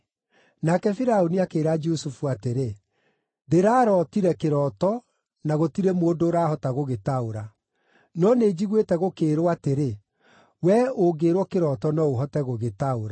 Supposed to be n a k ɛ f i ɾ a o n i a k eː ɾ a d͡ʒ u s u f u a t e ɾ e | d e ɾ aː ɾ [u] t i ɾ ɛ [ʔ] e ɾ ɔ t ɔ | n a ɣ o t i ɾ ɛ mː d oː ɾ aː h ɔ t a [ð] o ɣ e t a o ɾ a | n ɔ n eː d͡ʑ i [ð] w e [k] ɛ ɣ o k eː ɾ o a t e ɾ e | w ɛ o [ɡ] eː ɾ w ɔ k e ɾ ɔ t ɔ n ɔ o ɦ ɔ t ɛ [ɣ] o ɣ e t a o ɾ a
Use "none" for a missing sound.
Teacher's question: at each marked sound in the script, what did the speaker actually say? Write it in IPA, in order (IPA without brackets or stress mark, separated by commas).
ɔ, k, ɣ, ɣ, t, ɡ, ɣ